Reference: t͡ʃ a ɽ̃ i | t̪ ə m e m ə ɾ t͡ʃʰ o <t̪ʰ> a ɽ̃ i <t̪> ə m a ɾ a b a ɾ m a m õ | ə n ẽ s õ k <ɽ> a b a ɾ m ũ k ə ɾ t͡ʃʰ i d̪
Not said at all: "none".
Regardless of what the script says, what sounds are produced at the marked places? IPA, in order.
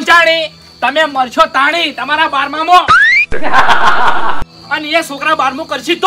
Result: t̪, t̪, ɾ

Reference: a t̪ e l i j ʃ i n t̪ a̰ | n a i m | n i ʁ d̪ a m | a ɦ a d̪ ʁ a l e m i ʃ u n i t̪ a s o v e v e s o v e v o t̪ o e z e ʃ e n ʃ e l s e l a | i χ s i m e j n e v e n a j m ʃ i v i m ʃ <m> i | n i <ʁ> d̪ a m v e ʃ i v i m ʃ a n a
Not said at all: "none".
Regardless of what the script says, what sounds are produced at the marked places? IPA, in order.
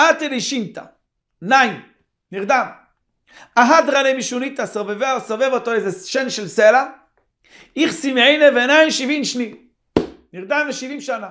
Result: n, ʁ

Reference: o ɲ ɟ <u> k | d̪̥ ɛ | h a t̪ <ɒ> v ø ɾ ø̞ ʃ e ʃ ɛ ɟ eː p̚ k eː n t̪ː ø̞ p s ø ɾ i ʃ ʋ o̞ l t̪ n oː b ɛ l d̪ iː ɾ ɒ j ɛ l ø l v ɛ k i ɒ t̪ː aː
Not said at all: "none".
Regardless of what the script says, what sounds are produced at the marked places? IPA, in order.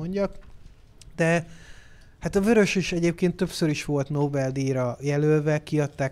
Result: ɒ, ɒ

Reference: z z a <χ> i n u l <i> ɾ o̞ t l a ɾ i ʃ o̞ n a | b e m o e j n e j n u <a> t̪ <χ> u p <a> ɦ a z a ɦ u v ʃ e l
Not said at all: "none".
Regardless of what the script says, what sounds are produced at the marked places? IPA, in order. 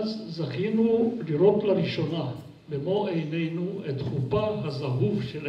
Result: χ, i, e, χ, a

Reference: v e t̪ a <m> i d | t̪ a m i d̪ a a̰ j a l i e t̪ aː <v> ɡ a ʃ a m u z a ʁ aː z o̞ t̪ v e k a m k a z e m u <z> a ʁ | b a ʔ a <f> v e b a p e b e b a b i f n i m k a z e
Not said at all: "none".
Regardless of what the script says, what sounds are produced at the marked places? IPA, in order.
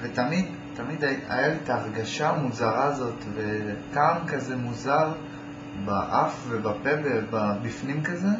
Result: m, ʁ, z, f

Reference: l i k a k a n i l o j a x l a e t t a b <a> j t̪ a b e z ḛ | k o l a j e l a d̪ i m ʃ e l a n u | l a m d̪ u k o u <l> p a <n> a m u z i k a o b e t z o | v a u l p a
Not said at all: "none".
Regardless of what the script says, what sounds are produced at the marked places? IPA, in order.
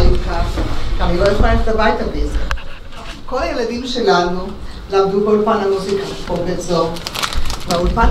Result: a, l, n

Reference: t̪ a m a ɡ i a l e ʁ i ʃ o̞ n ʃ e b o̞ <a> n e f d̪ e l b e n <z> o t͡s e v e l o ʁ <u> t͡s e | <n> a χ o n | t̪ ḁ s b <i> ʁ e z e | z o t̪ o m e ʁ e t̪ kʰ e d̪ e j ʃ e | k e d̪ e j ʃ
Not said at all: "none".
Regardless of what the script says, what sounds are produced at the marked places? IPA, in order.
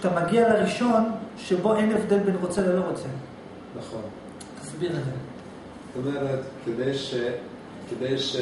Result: e, ʁ, o, n, i

